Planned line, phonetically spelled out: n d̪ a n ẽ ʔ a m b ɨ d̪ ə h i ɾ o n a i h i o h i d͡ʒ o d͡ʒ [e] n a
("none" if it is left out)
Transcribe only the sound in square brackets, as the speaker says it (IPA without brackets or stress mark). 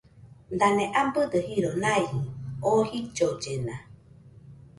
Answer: e